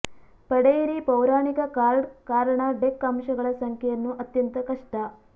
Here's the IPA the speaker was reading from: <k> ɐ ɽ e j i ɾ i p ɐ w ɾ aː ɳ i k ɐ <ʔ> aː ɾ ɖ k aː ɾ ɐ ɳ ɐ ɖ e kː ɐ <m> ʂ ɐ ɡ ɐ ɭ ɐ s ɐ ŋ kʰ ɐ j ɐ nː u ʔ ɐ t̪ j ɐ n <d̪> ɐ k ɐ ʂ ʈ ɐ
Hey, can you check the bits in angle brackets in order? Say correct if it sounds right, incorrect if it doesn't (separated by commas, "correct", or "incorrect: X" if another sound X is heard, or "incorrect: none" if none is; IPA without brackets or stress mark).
incorrect: p, incorrect: k, correct, incorrect: t̪